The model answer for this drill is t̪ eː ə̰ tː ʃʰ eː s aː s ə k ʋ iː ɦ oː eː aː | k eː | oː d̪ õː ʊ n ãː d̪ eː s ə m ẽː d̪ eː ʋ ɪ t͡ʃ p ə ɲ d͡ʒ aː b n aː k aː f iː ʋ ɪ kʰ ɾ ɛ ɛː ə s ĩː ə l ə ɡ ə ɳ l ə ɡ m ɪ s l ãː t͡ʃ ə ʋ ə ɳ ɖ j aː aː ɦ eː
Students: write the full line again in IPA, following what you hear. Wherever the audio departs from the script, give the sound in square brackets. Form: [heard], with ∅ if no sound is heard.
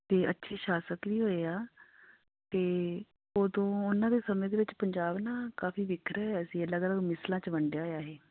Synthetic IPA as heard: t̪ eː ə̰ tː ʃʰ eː [ʃ] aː s ə k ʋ iː ɦ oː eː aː | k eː | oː d̪ õː ʊ n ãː d̪ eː s ə m ẽː d̪ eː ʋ ɪ t͡ʃ p ə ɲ d͡ʒ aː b n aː k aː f iː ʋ ɪ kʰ ɾ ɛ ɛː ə s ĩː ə l ə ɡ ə [∅] l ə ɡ m ɪ s l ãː t͡ʃ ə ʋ ə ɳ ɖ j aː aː ɦ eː